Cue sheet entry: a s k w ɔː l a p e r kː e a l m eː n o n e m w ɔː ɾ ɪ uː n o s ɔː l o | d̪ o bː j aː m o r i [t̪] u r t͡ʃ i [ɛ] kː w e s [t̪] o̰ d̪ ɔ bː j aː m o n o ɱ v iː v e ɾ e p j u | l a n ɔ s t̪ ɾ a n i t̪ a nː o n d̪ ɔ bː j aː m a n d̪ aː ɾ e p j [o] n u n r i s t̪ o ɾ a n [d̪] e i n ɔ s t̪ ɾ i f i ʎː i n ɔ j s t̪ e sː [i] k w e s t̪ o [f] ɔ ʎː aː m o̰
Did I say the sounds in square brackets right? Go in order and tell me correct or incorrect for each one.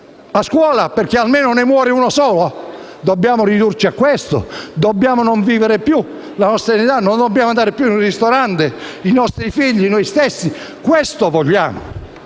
incorrect: d̪, incorrect: a, correct, incorrect: u, incorrect: t̪, correct, incorrect: v

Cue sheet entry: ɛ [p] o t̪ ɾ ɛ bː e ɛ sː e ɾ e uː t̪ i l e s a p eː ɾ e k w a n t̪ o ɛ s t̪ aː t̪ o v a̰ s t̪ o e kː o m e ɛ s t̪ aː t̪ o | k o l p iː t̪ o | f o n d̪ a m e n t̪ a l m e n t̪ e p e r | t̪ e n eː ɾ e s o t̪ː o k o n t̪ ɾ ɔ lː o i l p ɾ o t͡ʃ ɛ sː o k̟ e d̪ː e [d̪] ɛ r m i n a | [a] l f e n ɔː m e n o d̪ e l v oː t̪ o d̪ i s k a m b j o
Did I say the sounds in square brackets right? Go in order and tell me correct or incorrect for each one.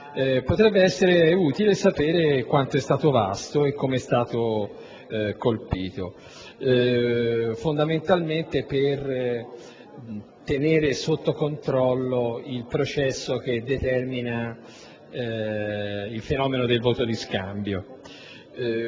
correct, incorrect: t̪, incorrect: i

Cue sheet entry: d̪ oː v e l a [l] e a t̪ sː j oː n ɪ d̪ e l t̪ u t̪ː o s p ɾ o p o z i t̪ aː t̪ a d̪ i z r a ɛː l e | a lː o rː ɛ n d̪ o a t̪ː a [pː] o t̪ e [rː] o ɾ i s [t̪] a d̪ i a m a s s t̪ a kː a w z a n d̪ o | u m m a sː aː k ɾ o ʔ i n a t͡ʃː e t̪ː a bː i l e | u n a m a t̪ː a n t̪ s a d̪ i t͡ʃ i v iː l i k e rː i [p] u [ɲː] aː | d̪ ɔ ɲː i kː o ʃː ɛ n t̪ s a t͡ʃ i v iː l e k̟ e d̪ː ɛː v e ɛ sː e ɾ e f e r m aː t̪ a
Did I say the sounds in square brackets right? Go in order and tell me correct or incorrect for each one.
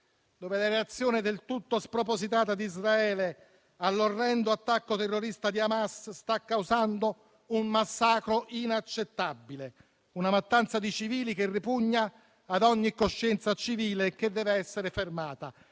incorrect: ɾ, incorrect: kː, correct, correct, correct, correct

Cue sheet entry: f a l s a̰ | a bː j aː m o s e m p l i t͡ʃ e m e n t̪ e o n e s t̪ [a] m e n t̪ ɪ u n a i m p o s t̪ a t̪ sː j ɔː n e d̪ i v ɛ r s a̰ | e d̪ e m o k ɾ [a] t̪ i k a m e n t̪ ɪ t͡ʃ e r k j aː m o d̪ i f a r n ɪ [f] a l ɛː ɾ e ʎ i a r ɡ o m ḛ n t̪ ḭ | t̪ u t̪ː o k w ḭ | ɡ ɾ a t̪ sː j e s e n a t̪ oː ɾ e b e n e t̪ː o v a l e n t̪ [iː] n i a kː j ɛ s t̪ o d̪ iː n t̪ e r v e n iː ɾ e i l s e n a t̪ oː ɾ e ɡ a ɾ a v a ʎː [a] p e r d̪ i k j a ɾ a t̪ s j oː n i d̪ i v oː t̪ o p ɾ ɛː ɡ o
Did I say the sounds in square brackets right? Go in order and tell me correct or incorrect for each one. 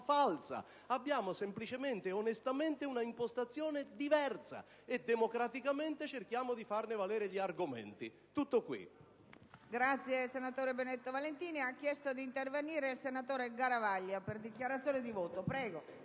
correct, correct, incorrect: v, correct, correct

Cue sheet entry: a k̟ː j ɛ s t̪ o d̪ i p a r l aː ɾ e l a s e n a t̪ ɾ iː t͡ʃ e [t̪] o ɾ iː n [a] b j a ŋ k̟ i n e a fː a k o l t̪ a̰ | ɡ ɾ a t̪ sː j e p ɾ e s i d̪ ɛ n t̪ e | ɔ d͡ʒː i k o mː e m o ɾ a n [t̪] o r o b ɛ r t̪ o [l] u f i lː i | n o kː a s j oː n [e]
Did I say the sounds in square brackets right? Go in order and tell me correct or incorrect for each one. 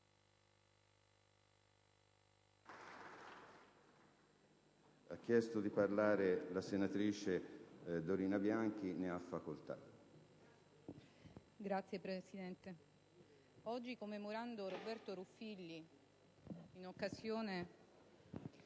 incorrect: d̪, correct, incorrect: d̪, incorrect: ɾ, correct

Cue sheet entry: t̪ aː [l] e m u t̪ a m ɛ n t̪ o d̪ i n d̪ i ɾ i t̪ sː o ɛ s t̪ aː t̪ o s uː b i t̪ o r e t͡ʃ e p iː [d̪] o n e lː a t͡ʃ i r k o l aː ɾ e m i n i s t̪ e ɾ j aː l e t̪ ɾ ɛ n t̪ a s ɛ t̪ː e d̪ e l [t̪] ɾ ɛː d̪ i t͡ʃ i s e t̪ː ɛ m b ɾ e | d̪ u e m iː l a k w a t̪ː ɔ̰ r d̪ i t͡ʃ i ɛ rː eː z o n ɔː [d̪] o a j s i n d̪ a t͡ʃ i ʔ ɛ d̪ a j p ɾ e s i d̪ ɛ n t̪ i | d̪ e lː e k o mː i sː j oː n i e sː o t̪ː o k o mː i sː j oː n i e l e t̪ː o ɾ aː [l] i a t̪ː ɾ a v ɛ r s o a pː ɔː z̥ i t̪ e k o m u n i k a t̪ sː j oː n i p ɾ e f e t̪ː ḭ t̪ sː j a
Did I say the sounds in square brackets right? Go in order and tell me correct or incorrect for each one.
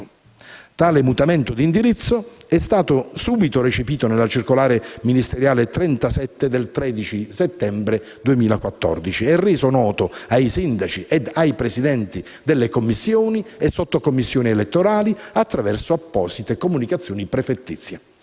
correct, incorrect: t̪, correct, incorrect: t̪, correct

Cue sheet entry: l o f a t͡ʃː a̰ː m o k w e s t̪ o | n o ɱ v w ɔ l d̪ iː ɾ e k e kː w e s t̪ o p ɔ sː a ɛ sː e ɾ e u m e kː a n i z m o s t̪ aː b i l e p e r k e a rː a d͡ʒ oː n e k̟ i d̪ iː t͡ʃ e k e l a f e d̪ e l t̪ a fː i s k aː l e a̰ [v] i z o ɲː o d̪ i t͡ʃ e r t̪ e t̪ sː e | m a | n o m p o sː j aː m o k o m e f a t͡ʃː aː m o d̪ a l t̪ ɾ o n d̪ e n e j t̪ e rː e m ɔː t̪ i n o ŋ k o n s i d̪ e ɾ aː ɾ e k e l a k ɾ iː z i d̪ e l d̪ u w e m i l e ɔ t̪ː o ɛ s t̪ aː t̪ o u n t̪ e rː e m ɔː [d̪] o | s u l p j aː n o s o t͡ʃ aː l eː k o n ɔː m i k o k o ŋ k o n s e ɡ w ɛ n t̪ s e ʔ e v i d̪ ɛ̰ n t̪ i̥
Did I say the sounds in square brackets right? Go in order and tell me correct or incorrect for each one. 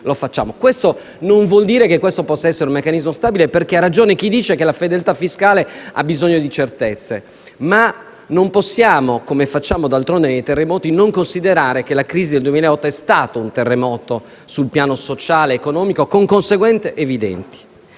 incorrect: b, incorrect: t̪

